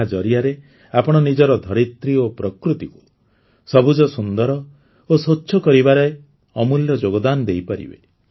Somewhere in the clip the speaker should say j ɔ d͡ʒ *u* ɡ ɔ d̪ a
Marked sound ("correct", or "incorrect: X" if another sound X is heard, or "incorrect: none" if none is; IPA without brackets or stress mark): incorrect: o